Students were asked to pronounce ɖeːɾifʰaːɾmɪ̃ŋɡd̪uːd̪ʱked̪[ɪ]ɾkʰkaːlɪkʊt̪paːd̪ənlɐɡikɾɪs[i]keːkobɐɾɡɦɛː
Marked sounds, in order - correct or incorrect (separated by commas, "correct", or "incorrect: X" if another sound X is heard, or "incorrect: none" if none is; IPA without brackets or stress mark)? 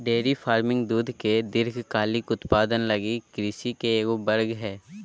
correct, correct